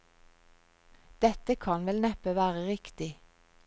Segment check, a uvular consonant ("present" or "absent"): present